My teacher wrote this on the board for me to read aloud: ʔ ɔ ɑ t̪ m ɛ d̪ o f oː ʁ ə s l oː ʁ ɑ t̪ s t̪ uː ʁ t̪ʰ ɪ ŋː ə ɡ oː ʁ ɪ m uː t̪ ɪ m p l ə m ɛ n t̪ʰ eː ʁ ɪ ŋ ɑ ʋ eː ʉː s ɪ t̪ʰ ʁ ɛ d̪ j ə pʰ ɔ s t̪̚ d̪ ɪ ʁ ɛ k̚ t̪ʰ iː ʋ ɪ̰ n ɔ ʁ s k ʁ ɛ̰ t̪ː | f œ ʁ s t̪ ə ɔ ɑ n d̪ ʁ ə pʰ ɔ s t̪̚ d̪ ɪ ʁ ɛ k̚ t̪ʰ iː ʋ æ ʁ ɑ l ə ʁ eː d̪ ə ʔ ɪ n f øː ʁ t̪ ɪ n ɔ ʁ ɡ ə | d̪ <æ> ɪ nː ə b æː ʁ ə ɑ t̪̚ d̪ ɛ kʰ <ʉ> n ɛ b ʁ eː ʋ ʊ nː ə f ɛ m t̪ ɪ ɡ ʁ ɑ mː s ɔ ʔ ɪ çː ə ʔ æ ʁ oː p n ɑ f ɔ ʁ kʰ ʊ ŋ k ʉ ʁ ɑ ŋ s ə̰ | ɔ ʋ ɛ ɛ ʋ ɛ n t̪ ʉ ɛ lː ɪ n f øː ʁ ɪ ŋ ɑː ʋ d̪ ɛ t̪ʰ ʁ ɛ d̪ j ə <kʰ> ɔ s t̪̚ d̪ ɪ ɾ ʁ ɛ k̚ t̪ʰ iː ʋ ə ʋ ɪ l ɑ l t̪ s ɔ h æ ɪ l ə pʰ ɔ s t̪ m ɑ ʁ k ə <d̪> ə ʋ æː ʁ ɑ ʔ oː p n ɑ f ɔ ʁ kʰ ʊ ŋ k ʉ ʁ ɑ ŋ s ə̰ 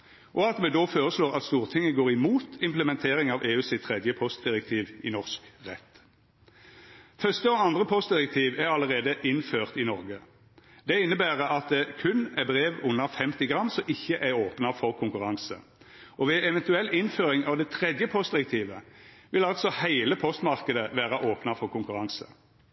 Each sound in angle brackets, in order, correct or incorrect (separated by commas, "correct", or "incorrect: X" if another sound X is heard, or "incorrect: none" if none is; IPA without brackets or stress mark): incorrect: ɛ, correct, incorrect: pʰ, correct